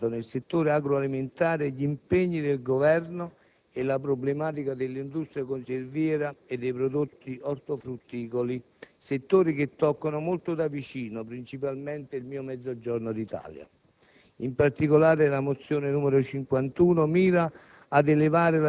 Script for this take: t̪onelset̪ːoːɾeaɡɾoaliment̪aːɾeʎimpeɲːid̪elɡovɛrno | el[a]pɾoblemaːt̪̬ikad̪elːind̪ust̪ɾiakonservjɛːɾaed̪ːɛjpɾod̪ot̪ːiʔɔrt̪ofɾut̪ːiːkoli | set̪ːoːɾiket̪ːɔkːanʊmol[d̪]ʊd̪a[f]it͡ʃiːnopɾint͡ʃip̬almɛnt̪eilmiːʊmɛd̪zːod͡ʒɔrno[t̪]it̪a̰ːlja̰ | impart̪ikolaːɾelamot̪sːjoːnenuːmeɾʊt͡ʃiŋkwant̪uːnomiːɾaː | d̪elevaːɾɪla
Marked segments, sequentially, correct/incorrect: correct, incorrect, incorrect, incorrect

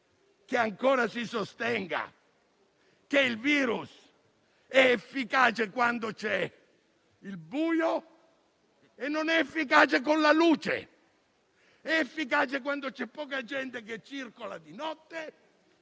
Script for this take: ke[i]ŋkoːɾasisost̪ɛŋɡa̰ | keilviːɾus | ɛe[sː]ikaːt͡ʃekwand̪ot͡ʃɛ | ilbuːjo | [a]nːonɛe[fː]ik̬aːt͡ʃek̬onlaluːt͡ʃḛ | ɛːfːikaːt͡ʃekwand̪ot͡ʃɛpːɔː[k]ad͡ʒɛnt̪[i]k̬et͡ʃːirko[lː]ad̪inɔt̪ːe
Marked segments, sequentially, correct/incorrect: incorrect, incorrect, incorrect, correct, correct, incorrect, incorrect

